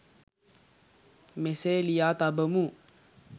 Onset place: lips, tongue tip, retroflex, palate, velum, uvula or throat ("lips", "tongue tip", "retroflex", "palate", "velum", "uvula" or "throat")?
lips